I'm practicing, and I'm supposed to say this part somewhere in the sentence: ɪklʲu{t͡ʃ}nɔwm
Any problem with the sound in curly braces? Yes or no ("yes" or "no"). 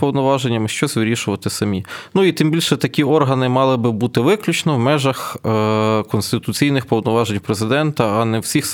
no